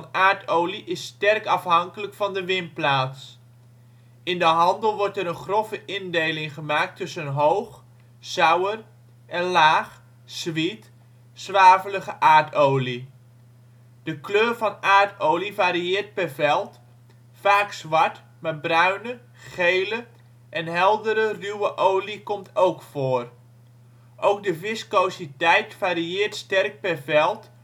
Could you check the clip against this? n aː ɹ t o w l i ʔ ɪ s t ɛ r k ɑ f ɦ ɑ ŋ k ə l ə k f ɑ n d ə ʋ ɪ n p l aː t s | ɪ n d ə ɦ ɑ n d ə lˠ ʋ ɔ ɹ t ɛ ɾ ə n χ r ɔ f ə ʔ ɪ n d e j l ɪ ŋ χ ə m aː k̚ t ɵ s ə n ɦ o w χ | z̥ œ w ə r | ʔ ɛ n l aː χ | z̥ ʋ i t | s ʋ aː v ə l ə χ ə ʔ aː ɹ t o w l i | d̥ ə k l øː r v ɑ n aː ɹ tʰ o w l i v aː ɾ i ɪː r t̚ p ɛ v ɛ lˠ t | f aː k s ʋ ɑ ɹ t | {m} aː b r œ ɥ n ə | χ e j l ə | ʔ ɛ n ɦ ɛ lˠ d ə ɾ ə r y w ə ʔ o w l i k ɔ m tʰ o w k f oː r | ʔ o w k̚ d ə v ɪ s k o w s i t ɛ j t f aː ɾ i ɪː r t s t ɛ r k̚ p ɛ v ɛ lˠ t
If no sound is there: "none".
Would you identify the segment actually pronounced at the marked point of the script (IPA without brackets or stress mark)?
m